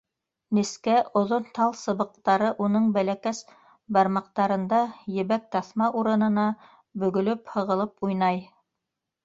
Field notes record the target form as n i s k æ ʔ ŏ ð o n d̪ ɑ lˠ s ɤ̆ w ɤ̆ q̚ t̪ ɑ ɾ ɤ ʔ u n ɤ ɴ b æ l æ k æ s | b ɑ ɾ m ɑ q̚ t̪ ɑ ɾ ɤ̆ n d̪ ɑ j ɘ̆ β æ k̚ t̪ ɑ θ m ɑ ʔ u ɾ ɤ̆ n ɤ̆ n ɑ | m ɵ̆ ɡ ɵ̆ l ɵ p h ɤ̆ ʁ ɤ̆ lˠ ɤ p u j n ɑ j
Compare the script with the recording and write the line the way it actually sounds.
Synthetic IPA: n i s k æ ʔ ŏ ð o n t̪ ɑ lˠ s ɤ̆ β ɤ̆ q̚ t̪ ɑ ɾ ɤ ʔ u n ɤ ɴ b æ l æ k æ s | b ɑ ɾ m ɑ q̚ t̪ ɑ ɾ ɤ̆ n d̪ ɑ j ɘ̆ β æ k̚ t̪ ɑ θ m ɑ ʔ u ɾ ɤ̆ n ɤ̆ n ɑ | b ɵ̆ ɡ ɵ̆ l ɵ p h ɤ̆ ʁ ɤ̆ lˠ ɤ p u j n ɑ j